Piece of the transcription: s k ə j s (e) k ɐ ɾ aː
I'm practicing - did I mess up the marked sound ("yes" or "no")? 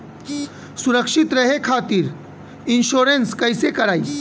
no